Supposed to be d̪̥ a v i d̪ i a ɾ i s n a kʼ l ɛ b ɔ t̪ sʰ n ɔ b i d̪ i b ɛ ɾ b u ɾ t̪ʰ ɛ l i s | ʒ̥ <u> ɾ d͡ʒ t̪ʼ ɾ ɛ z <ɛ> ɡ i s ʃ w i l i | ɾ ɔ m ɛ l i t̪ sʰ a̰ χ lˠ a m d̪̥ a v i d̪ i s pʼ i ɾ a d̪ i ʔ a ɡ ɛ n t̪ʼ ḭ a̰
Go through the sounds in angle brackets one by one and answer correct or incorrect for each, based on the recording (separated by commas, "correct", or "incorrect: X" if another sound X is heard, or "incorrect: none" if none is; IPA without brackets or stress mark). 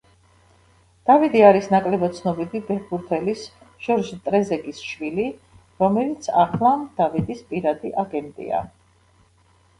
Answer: incorrect: ɔ, correct